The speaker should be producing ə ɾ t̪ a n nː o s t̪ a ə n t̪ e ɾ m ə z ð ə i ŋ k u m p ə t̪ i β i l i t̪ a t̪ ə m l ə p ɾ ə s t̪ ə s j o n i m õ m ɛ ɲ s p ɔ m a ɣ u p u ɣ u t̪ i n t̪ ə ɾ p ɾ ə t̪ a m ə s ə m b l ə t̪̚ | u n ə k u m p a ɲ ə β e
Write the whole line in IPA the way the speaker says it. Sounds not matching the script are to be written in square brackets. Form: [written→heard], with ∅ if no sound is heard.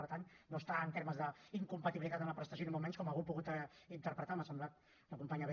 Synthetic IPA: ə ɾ t̪ a n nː o s t̪ a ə n t̪ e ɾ m ə z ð ə i ŋ k u m p ə t̪ i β i l i t̪ a t̪ ə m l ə p ɾ ə s t̪ ə s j o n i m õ m ɛ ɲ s [p→k] ɔ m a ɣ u p u ɣ u t̪ i n t̪ ə ɾ p ɾ ə t̪ a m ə s ə m b l [ə→a] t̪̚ | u n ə k u m p a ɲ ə β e